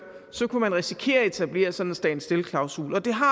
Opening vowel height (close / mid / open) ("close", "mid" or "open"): open